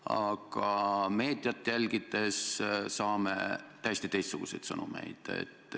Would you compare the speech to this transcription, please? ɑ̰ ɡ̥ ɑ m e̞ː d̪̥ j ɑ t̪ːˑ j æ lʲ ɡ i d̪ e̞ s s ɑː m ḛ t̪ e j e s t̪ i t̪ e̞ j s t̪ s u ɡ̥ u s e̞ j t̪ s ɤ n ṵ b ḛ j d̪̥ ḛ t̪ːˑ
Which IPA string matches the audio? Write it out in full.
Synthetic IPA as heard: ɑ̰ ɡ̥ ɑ m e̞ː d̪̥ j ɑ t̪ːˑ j æ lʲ ɡ i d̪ e̞ s s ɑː m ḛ t̪ æ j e s t̪ i t̪ e̞ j s t̪ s u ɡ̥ u s e̞ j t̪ s ɤ n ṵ m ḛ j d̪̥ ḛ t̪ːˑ